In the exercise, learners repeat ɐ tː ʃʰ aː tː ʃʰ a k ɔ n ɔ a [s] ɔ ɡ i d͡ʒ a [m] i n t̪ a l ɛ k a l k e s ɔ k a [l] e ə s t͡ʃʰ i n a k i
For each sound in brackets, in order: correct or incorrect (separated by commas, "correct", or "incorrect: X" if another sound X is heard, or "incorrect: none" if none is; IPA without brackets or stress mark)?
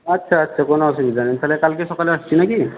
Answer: correct, incorrect: n, correct